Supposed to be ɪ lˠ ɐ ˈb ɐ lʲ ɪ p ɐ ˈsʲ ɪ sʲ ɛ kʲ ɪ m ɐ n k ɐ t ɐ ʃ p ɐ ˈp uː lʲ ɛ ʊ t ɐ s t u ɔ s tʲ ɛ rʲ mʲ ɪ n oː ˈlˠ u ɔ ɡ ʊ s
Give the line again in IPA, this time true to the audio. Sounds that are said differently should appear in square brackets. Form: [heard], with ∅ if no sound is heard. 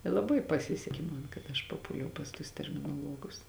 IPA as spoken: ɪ lˠ ɐ ˈb ɐ [∅] ɪ p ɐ ˈsʲ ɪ sʲ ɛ kʲ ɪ m ɐ n k ɐ t ɐ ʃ p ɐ ˈp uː lʲ ɛ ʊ [p] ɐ s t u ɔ s tʲ ɛ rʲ mʲ ɪ n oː ˈlˠ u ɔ ɡ ʊ s